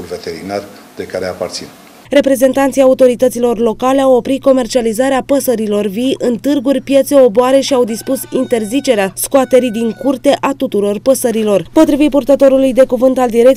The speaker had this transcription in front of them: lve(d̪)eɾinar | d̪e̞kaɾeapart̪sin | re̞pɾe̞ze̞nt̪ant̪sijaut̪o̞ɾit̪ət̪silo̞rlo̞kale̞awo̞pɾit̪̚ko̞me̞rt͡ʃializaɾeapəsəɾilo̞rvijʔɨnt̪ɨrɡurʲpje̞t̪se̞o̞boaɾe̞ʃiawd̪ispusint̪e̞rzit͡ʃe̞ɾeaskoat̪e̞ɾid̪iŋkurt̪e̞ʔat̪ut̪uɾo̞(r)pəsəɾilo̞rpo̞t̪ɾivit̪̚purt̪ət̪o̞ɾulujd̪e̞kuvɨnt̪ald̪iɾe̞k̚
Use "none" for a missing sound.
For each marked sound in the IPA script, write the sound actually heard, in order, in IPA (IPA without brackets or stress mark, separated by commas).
t̪, r